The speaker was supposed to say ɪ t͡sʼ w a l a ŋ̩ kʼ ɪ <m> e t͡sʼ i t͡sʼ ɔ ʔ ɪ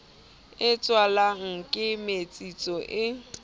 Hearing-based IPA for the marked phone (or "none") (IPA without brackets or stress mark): m